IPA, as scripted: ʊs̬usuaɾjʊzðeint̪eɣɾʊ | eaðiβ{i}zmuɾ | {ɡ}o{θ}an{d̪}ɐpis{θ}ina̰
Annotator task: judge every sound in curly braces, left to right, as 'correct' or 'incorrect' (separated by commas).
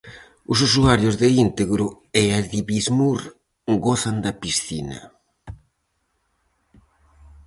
correct, correct, correct, correct, correct